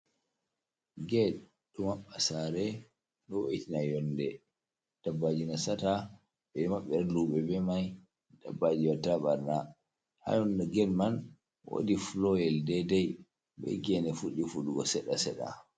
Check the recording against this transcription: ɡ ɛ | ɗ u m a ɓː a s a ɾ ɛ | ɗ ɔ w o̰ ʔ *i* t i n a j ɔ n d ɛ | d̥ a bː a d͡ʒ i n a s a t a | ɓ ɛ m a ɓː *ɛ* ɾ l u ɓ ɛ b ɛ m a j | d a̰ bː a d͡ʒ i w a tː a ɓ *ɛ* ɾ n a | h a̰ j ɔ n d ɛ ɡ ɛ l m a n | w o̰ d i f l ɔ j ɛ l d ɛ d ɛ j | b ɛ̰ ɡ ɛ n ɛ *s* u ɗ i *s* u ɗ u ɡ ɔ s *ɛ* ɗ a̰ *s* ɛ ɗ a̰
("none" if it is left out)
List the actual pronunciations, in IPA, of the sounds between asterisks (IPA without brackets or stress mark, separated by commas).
i, ɛ, a, f, f, ɛ, s